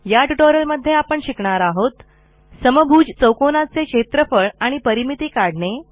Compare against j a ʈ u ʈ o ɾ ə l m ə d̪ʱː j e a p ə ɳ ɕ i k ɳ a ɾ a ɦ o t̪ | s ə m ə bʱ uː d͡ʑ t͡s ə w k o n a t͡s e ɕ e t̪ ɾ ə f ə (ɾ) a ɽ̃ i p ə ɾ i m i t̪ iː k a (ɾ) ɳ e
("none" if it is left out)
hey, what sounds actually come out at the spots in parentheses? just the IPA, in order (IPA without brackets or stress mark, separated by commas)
ɭ, ɽ